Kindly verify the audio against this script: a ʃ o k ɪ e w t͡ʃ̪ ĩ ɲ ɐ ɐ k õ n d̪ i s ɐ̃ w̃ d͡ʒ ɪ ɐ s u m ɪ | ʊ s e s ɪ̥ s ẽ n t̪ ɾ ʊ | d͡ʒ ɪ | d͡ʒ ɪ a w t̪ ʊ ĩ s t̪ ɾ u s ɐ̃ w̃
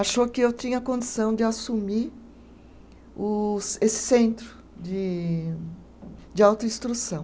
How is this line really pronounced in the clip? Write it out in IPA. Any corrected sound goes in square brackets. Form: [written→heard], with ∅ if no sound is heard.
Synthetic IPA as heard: a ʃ o k ɪ e w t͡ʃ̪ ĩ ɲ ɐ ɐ k õ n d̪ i s ɐ̃ w̃ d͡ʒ ɪ [ɐ→a] s u m [ɪ→i] | ʊ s e s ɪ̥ s ẽ n t̪ ɾ ʊ | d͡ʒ ɪ | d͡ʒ ɪ a w t̪ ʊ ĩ s t̪ ɾ u s ɐ̃ w̃